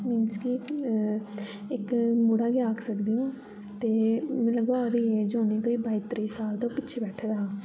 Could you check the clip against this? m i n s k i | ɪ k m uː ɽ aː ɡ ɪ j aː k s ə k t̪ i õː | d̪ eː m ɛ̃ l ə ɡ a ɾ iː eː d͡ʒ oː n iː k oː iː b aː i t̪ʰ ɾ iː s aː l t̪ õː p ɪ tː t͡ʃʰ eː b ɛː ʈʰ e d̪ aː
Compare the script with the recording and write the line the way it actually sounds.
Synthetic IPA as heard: m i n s k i | ɪ k m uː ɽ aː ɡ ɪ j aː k s ə k d̪ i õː | t̪ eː m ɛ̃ l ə ɡ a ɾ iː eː d͡ʒ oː n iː k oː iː b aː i t̪ ɾ iː s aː l t̪ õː p ɪ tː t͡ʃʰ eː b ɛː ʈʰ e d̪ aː